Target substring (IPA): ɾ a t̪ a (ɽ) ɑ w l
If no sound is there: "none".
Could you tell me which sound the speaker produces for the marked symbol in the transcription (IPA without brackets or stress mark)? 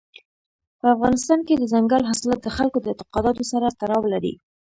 ɾ